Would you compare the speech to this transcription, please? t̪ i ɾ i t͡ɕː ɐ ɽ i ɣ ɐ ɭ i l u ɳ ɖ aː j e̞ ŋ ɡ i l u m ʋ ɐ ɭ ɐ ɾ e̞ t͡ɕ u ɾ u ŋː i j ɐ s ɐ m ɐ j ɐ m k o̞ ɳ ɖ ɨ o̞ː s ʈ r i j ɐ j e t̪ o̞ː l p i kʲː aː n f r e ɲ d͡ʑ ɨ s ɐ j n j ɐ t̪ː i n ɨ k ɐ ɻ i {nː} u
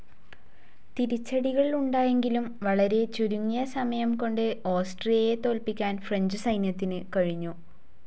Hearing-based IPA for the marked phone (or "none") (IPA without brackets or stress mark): ɲː